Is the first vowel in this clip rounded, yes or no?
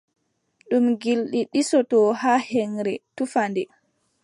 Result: yes